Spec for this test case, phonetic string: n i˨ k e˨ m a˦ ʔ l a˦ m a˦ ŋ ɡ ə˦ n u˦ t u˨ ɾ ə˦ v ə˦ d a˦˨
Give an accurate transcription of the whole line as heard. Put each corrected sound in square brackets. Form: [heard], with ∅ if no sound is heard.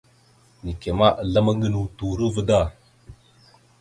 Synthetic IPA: n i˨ k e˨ m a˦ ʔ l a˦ m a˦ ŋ ɡ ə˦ n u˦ t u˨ ɾ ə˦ v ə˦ d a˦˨

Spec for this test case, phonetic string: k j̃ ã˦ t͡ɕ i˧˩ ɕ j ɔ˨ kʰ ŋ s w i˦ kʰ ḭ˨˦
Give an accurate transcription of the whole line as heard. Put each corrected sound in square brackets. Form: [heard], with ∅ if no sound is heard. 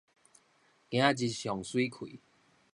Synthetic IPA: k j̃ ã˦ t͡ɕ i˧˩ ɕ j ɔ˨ [∅] ŋ s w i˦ kʰ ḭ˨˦

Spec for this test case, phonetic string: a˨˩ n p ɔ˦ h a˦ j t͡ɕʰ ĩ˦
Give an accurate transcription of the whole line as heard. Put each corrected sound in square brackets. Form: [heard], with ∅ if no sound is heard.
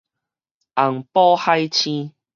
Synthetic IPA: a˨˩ [ŋ] p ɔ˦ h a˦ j t͡ɕʰ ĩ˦

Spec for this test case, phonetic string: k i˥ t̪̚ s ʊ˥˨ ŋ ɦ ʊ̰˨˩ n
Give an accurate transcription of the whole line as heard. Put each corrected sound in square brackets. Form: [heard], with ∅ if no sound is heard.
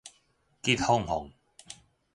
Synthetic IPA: k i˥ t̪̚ [h] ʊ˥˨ ŋ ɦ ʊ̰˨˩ [ŋ]

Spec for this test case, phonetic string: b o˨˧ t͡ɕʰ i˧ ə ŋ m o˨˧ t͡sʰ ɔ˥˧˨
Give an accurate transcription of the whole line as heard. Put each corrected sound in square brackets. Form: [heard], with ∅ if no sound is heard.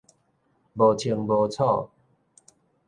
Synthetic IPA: b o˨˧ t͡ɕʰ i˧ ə ŋ [b] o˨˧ t͡sʰ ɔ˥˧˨

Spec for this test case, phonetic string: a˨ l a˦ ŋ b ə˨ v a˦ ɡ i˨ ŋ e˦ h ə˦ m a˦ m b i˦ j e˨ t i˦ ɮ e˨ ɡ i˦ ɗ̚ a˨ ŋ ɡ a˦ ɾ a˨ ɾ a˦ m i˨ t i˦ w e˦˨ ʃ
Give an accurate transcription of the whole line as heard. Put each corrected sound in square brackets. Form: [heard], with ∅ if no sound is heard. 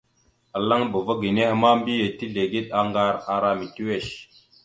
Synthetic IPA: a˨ l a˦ ŋ b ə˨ v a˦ ɡ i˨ [n] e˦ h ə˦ m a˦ m b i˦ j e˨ t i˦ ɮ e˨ ɡ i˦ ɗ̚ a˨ ŋ ɡ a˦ ɾ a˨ ɾ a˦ m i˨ t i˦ w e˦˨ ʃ

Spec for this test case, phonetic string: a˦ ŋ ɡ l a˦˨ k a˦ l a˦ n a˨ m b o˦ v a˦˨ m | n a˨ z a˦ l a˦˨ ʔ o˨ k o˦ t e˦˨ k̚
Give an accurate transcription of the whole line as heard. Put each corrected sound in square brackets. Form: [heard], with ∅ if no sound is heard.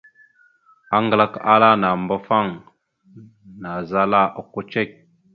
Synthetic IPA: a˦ ŋ ɡ l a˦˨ k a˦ l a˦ n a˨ m b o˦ [f] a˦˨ [ŋ] | n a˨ z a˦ l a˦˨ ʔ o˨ k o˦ [t͡ʃ] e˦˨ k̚

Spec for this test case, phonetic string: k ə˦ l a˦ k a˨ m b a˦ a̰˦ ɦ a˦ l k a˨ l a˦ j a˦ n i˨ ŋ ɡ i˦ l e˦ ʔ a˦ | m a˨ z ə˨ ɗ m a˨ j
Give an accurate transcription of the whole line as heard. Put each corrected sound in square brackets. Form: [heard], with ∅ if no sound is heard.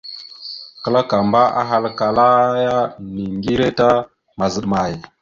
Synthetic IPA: k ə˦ l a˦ k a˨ m b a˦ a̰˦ ɦ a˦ l k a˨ l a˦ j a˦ n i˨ ŋ ɡ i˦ [ɾ] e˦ [t] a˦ | m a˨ z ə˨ ɗ m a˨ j

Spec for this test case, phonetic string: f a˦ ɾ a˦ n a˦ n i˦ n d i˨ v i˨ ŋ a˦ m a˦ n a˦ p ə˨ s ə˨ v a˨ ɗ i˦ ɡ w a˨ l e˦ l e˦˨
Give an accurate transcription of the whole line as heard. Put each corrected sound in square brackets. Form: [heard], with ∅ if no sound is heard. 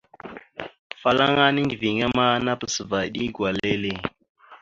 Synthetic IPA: f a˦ [l] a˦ [ŋ] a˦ n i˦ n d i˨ v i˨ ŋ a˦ m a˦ n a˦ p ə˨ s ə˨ v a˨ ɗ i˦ ɡ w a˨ l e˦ l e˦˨

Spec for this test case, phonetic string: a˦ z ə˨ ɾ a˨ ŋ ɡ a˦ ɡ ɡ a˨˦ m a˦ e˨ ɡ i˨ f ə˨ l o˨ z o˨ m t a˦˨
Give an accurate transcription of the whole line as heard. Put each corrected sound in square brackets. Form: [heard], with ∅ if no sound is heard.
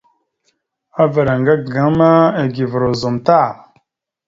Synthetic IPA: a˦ [v] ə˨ ɾ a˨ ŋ ɡ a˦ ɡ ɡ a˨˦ m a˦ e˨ ɡ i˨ [v] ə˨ [ɾ] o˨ z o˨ m t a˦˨

